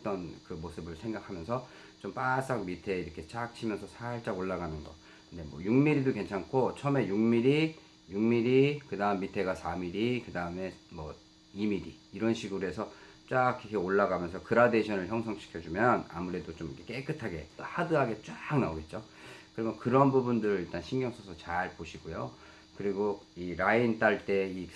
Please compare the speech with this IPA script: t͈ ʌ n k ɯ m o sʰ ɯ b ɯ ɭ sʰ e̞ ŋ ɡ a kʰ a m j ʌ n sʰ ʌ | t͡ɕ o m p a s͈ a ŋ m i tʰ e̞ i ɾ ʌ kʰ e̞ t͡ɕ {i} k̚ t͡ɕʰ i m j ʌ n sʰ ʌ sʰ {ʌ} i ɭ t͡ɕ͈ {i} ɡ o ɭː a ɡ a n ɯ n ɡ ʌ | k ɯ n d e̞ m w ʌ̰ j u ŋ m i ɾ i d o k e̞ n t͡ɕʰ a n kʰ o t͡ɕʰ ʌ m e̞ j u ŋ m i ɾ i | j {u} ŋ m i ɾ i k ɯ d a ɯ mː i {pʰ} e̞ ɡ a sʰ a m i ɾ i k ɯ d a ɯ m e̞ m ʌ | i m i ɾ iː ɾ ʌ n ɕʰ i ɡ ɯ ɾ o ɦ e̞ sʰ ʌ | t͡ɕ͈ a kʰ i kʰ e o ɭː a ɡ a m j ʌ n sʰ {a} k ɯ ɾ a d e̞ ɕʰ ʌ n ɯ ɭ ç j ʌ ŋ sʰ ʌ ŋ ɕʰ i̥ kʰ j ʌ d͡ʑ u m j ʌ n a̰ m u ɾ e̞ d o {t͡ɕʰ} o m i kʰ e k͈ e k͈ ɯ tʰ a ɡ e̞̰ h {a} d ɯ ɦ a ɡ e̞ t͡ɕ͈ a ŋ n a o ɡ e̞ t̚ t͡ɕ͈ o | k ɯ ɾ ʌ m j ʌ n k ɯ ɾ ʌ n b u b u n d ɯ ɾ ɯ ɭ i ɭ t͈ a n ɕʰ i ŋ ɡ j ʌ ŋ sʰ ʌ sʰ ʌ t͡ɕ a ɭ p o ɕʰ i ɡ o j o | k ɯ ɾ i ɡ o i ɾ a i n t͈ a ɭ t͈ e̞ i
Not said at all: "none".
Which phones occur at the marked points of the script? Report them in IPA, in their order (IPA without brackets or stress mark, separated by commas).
a, a, a, u, tʰ, ʌ, t͡ɕ, a